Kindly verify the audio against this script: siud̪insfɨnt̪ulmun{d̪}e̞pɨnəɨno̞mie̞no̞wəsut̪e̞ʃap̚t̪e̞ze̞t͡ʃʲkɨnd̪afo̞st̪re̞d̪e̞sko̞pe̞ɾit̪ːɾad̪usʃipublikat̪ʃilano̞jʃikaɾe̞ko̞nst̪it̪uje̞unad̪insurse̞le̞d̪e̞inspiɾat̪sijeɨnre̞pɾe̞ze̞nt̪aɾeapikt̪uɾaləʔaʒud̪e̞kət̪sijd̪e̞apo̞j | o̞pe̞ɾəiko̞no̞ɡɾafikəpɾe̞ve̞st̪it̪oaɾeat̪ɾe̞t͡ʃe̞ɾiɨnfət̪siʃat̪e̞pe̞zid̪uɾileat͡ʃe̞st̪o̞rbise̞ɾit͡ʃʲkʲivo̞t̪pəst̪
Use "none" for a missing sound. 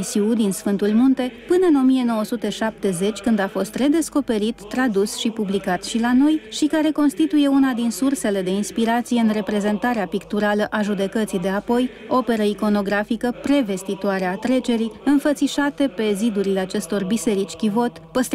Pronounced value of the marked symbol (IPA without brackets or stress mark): t̪